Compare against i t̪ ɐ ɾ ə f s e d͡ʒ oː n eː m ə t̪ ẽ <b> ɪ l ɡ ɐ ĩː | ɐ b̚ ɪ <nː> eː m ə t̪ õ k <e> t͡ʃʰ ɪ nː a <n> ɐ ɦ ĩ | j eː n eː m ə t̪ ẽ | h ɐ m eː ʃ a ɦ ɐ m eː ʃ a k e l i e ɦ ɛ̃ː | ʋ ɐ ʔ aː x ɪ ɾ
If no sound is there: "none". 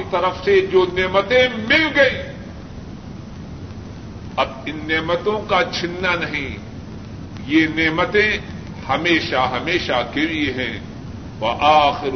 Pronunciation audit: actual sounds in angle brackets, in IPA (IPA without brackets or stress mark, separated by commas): m, nː, a, n